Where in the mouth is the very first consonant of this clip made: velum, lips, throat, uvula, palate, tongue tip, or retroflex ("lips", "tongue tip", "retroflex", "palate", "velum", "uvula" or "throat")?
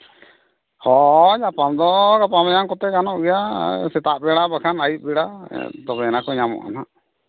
throat